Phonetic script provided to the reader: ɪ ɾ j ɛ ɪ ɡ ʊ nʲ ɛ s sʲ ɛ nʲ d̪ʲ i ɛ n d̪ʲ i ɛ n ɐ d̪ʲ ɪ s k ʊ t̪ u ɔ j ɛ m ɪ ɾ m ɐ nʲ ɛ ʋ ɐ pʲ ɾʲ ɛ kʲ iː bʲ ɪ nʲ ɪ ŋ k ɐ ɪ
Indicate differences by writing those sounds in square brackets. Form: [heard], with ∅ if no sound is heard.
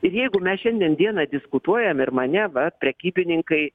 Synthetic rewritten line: ɪ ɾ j ɛ ɪ ɡ ʊ [mʲ] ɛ s [ʃʲ] ɛ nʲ d̪ʲ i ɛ n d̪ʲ i ɛ n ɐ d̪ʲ ɪ s k ʊ t̪ u ɔ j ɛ m ɪ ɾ m ɐ nʲ ɛ ʋ ɐ pʲ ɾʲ ɛ kʲ iː bʲ ɪ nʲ ɪ ŋ k ɐ ɪ